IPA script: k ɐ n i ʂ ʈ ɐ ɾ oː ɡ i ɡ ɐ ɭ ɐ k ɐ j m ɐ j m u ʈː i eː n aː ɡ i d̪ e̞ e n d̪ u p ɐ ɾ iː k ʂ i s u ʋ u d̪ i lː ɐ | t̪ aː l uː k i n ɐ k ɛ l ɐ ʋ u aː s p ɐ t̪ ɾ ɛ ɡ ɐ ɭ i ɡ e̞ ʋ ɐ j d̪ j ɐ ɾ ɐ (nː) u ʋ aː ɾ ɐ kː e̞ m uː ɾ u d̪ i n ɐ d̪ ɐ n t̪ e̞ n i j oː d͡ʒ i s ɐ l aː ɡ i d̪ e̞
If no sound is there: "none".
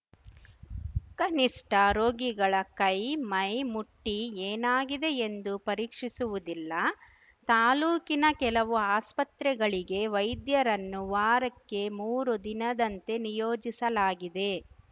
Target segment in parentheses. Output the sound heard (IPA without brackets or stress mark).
nː